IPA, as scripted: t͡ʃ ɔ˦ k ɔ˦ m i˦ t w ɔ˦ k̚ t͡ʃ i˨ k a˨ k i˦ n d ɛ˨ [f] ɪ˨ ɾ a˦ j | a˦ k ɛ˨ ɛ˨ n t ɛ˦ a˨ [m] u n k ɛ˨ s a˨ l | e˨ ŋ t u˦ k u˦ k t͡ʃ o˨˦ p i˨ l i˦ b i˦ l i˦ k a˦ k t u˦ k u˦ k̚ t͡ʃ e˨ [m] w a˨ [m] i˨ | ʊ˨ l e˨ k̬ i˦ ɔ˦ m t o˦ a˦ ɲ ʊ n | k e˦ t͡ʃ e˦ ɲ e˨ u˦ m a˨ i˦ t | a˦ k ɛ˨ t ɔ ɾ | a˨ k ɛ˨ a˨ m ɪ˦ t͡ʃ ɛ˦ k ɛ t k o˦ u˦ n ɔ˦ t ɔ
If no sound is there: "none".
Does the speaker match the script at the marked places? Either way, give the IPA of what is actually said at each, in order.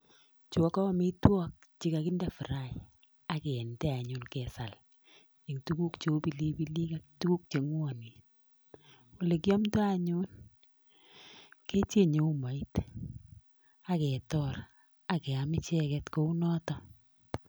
f, ɲ, ŋ, n

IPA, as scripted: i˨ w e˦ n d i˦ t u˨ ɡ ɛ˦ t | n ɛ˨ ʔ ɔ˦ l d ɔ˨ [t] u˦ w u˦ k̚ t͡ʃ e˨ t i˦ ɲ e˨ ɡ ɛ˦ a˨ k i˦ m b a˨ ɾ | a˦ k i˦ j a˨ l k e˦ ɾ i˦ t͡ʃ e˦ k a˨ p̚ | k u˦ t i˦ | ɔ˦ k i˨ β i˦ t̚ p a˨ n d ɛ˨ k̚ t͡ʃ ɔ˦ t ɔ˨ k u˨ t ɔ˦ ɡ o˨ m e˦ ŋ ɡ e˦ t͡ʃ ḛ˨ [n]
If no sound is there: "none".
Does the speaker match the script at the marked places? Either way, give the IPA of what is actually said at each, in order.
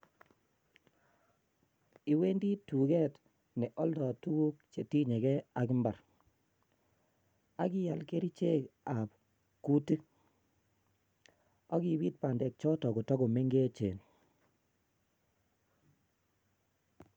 t, n

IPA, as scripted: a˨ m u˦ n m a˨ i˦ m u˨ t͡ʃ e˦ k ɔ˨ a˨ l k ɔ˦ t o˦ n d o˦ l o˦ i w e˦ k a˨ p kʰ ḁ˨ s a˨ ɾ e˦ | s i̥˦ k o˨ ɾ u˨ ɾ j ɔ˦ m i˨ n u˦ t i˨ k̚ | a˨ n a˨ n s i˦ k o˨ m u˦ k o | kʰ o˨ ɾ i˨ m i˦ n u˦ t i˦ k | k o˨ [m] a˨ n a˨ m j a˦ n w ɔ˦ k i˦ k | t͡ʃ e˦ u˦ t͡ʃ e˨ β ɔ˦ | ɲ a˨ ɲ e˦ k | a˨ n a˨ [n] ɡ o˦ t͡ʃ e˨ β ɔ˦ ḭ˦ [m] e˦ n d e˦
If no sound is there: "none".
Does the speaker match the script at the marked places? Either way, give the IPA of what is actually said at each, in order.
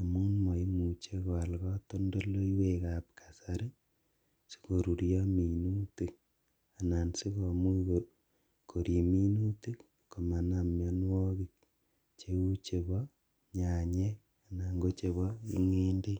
m, ŋ, ŋ

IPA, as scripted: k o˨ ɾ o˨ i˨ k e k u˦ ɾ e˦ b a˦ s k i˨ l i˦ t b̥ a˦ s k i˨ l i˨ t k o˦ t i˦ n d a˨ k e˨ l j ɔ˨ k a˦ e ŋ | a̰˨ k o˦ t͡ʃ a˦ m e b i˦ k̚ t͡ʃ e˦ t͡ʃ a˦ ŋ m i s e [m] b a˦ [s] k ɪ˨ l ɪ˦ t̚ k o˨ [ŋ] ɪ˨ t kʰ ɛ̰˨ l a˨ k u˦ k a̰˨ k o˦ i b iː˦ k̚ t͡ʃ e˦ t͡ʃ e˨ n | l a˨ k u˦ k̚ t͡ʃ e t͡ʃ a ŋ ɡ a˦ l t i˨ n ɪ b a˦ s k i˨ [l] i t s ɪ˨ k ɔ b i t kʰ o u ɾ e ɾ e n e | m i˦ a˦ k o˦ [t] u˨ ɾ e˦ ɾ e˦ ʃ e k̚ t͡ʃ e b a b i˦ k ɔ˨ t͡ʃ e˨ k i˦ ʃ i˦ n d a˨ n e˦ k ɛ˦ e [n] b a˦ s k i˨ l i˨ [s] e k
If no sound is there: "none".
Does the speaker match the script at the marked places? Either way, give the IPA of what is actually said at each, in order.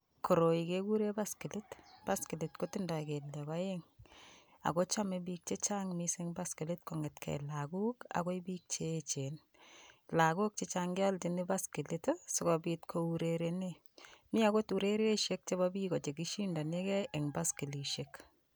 ŋ, s, ŋ, l, t, ŋ, ʃ

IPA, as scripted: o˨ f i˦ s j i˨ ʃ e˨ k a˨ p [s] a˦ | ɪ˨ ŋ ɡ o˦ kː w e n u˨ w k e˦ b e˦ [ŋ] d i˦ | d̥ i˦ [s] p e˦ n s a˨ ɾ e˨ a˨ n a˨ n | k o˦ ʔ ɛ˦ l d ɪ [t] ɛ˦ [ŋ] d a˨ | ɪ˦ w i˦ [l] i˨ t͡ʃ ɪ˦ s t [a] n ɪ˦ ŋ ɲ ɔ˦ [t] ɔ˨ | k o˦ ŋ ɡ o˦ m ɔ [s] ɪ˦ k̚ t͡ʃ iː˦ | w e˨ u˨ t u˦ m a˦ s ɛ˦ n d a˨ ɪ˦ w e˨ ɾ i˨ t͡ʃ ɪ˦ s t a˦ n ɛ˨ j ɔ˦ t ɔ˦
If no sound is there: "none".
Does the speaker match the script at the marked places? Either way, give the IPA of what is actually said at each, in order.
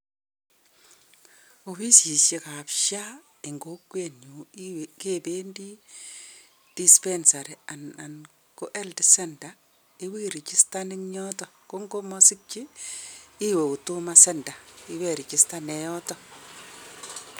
ʃ, n, s, s, n, ɾ, a, t, s

